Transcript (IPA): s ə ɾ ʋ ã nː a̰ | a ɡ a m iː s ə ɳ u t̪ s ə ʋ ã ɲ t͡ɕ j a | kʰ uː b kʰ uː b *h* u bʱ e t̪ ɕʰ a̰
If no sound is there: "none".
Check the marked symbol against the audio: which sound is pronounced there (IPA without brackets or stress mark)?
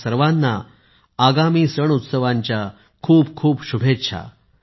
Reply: ɕ